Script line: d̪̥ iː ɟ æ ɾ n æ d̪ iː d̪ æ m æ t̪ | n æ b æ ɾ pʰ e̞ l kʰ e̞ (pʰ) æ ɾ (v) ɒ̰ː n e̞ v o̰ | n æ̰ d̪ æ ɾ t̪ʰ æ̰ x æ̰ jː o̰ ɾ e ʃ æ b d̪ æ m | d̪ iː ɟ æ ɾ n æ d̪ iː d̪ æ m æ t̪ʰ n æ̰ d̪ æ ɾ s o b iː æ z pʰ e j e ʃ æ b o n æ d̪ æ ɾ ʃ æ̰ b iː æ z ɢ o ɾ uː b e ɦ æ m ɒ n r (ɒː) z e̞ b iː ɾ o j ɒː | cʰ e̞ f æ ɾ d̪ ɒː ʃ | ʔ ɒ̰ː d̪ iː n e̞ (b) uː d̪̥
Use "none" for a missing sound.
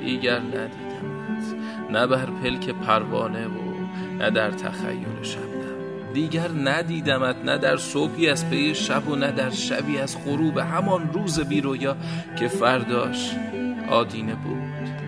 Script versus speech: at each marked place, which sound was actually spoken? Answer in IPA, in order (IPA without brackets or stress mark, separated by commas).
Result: pʰ, v, uː, b